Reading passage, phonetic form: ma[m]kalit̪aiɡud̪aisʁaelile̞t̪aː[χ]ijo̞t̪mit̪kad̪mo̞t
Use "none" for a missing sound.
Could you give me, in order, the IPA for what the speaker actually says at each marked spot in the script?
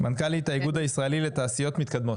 n, s

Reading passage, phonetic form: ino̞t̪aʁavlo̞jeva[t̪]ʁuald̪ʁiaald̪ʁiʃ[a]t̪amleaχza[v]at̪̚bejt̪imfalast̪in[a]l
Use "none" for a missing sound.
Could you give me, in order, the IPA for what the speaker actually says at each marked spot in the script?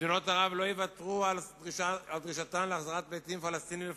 t̪, a, ʁ, i

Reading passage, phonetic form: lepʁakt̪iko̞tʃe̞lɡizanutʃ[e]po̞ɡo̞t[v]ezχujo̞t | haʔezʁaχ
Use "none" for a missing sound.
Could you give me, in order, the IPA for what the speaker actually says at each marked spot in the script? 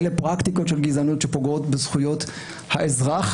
e, b

